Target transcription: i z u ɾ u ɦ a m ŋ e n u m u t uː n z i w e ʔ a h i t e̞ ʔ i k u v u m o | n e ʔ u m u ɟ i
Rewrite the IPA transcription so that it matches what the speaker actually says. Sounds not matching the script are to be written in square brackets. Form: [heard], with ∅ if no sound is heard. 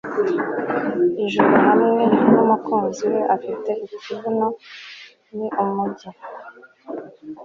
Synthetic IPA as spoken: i [ʒ] u ɾ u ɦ a m ŋ e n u m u [k] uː n z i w e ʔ a [f] i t e̞ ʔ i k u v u [n] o | n [i] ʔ u m u ɟ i